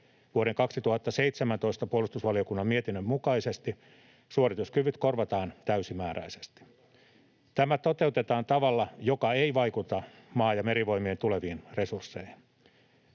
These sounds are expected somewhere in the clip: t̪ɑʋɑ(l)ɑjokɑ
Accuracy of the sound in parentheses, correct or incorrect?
incorrect